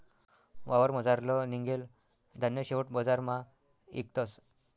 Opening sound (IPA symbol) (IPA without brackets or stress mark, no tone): ʋ